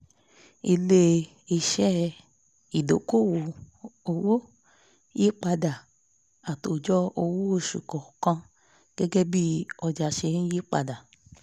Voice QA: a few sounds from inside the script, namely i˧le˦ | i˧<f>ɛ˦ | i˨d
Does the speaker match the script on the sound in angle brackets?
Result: no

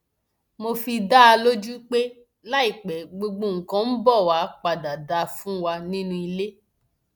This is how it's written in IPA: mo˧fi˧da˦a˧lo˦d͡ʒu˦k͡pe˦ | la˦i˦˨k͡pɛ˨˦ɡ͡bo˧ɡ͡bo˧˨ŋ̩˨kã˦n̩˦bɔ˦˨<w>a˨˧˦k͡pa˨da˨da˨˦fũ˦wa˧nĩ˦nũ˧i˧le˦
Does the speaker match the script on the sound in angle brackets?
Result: yes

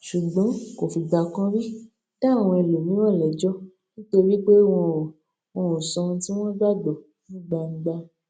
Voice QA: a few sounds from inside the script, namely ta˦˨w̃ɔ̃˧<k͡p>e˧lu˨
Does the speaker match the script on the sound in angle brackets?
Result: no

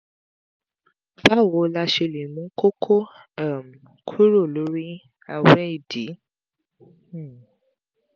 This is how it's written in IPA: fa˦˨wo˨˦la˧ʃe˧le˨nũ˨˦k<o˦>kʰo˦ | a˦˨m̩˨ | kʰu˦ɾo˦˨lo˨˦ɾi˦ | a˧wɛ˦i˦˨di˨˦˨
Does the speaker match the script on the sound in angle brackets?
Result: yes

